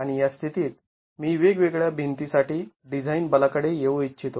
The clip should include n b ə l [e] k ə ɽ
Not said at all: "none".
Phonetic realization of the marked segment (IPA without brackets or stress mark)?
a